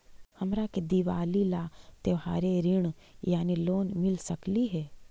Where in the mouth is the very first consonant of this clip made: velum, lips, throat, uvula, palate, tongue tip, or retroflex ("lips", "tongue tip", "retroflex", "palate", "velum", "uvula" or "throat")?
throat